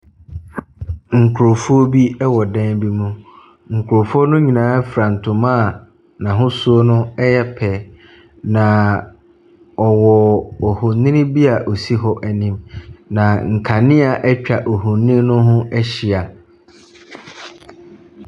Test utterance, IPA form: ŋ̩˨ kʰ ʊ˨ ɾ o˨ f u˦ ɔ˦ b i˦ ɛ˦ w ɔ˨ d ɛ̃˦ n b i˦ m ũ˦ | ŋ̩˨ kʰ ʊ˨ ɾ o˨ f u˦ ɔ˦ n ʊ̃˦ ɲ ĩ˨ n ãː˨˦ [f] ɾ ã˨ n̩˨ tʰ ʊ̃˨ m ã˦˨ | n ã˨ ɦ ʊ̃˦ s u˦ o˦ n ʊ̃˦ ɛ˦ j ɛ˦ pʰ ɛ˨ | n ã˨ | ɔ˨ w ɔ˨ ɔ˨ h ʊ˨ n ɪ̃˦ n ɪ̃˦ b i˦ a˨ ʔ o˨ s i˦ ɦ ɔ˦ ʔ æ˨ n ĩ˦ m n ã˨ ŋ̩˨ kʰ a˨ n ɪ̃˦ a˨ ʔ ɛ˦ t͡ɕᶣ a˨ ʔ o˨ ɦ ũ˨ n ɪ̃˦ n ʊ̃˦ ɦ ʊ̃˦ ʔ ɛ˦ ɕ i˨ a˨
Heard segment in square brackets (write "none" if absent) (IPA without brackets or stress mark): f